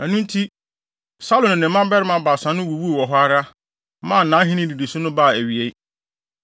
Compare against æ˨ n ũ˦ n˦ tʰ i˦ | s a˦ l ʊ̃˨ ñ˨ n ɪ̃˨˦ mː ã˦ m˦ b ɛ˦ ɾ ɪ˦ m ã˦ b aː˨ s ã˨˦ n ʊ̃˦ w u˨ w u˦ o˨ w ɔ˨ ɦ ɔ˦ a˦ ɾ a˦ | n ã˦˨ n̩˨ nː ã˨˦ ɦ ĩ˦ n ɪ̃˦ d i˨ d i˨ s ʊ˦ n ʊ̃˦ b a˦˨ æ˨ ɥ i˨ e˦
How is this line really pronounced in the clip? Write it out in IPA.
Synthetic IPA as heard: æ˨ n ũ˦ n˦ tʰ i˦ | s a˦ l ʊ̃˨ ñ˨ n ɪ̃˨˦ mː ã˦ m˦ b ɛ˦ ɾ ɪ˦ m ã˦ b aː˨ s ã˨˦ n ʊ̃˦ w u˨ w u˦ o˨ w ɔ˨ ɦ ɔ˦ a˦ ɾ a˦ | m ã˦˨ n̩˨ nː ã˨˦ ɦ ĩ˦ n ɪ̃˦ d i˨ d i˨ s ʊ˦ n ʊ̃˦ b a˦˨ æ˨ ɥ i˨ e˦